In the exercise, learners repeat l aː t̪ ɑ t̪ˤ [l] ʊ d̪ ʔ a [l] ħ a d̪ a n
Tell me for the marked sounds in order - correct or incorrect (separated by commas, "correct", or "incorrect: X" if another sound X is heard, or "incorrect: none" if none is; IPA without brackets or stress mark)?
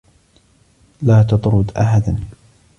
incorrect: ɾ, incorrect: none